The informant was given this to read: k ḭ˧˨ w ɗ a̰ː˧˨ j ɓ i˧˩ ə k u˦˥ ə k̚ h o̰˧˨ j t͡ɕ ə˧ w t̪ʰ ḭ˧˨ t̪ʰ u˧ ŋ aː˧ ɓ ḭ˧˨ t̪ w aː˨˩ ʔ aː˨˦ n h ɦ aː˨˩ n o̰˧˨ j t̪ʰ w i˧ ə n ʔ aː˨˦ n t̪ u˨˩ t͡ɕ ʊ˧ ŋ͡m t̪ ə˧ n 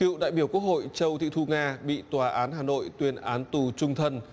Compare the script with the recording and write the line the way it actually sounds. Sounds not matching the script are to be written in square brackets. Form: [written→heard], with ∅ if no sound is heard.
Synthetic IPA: k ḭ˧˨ w ɗ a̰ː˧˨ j ɓ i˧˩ ə k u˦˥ ə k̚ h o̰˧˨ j t͡ɕ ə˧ w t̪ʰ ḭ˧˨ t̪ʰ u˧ ŋ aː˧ ɓ ḭ˧˨ t̪ w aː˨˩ ʔ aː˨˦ n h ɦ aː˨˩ n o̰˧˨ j [t̪ʰ→t̪] w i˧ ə n ʔ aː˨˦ n t̪ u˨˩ t͡ɕ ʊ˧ ŋ͡m [t̪→t̪ʰ] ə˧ n